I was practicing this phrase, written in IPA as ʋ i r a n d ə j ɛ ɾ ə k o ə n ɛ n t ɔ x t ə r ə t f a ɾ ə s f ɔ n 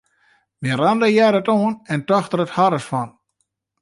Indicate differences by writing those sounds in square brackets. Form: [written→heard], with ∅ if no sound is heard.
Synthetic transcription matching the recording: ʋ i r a n d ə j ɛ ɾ ə [k→t] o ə n ɛ n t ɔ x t ə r ə t [f→h] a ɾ ə s f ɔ n